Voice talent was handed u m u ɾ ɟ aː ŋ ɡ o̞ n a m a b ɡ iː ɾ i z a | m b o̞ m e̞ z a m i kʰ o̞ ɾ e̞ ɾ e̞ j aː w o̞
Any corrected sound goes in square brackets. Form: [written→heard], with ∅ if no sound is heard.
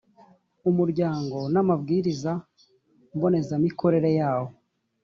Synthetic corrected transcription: u m u ɾ ɟ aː ŋ ɡ o̞ n a m a b ɡ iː ɾ i z a | m b o̞ [m→n] e̞ z a m i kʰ o̞ ɾ e̞ ɾ e̞ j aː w o̞